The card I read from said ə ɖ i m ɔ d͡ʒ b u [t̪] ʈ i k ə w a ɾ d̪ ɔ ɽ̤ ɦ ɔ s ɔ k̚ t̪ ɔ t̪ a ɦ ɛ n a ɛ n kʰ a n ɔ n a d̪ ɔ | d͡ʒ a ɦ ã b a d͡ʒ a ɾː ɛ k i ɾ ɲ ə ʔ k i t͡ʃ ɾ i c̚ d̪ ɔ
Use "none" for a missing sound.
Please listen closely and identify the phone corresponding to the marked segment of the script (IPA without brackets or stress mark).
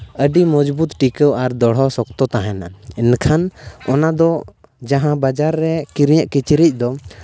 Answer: t̪